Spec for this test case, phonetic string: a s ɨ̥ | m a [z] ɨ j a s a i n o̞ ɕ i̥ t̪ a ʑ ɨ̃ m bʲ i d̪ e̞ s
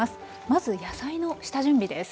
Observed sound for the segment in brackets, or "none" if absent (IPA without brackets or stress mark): z